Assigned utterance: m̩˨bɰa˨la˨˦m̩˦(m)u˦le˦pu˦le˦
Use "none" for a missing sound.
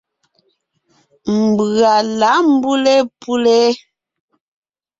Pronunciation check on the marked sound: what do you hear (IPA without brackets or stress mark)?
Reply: b